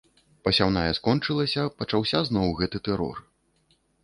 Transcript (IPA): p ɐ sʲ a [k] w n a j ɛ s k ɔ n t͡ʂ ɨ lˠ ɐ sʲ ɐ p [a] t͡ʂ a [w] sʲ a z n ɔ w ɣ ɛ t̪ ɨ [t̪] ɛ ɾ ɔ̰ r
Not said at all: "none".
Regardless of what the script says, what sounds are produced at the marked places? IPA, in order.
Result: none, ɐ, w, t̪

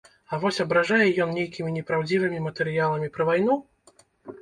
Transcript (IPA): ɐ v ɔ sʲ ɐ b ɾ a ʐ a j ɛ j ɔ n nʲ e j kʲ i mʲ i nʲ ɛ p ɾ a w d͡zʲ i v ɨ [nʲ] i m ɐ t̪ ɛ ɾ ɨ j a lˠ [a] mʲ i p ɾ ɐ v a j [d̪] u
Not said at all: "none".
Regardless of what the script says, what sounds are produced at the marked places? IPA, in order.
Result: mʲ, ɐ, n̪

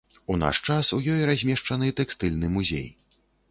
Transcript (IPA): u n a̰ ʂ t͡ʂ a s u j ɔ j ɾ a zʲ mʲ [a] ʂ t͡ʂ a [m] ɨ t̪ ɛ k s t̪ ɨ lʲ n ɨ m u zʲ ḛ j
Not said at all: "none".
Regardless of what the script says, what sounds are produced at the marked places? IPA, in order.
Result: ɛ, n

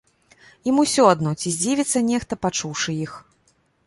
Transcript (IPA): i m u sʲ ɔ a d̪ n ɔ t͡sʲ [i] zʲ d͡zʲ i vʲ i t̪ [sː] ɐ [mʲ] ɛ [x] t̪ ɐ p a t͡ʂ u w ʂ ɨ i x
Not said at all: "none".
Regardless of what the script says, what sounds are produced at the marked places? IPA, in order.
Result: i, sː, nʲ, x

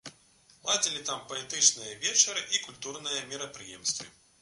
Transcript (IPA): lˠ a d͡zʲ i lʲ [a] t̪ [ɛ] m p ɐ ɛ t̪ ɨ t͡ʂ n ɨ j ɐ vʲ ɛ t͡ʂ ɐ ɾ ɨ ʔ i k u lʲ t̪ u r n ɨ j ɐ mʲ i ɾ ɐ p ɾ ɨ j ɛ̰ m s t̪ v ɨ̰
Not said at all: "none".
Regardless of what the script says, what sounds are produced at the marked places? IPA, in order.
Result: i, a

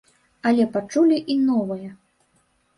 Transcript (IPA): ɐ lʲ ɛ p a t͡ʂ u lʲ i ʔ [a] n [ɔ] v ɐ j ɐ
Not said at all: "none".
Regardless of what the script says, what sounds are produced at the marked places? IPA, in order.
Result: i, ɔ

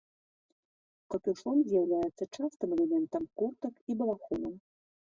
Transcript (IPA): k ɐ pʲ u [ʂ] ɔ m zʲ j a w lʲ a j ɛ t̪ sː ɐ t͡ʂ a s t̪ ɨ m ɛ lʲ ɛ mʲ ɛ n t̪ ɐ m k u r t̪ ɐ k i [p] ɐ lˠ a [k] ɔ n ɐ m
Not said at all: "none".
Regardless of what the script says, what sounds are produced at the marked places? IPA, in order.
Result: ʂ, b, x

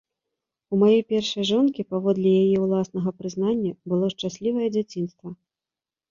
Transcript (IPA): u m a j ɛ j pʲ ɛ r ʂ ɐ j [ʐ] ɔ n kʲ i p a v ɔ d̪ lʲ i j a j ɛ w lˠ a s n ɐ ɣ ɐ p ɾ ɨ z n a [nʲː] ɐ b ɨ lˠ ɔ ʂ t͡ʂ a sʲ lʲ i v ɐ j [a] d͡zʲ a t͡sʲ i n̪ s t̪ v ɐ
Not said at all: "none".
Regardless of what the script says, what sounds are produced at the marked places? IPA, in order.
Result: ʐ, nʲː, ɛ

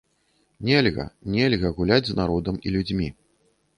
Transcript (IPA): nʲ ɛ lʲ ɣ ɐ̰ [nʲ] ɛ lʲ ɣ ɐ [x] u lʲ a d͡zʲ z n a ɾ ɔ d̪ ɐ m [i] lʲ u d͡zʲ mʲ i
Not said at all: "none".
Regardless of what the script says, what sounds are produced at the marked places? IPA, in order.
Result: nʲ, ɣ, i

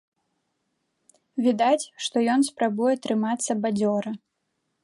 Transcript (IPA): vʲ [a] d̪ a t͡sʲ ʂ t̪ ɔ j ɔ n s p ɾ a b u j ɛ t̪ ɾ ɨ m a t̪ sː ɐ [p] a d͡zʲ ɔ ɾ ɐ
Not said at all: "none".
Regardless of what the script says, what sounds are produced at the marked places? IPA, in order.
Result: i, b

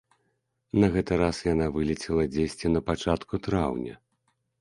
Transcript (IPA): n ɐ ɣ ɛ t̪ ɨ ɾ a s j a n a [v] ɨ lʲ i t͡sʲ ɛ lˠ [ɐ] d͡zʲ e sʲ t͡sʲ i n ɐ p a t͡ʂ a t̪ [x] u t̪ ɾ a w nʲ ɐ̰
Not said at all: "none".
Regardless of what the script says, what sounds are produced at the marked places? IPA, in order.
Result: v, ɐ, k

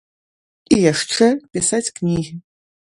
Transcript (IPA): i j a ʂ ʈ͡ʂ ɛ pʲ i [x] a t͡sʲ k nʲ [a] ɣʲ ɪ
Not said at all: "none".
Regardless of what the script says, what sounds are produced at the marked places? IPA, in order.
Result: s, i

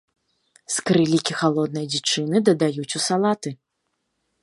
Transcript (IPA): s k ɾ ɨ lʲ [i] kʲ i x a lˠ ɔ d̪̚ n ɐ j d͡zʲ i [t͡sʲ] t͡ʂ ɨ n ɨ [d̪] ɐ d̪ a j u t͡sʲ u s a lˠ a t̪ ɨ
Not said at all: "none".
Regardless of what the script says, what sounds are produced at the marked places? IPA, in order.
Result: i, none, d̪

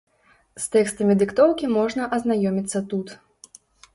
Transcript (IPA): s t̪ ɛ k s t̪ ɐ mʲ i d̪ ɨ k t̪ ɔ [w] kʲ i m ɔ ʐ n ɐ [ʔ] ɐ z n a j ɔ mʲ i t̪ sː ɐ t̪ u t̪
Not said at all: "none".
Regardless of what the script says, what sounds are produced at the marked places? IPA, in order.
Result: w, ʔ

